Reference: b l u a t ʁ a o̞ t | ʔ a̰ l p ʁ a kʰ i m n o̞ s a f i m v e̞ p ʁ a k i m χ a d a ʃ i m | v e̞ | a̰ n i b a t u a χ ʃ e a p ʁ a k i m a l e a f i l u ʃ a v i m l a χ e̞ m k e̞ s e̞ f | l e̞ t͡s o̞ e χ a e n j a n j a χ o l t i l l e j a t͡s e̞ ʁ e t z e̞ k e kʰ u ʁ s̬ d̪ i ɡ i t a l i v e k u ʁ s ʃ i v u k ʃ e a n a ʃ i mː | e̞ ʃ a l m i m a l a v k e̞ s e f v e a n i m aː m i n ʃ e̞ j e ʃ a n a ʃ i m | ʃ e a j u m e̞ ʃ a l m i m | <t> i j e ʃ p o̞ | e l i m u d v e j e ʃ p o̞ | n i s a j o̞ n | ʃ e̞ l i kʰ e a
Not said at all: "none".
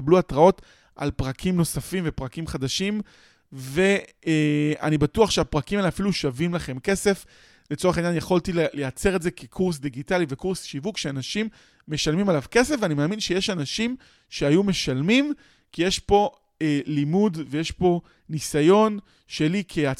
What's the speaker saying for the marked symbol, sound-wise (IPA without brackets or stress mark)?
k